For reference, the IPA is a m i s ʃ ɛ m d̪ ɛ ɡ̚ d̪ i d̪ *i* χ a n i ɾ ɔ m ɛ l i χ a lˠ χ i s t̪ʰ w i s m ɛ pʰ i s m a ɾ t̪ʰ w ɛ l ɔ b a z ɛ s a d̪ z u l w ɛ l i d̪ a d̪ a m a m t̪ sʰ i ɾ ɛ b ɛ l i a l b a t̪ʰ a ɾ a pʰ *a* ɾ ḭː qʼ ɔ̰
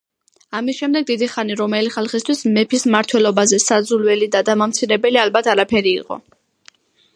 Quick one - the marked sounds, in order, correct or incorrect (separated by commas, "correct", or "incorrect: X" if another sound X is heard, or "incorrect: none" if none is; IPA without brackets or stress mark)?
correct, incorrect: ɛ